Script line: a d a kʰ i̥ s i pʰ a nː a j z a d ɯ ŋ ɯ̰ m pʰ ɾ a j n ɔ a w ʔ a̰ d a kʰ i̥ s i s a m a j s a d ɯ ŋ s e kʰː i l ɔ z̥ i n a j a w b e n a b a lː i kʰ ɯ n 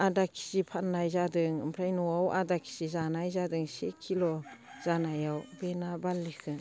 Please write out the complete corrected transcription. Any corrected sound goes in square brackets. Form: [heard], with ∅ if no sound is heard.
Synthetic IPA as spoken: a d a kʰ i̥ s i pʰ a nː a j z a d ɯ ŋ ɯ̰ m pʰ ɾ a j n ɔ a w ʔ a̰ d a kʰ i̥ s i [z] a [n] a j [z] a d ɯ ŋ s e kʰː i l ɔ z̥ [a] n a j a w b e n a b a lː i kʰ ɯ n